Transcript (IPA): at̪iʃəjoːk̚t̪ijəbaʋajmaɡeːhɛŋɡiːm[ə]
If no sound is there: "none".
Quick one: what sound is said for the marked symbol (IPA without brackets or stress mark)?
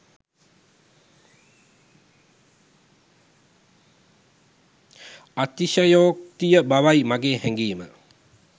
ə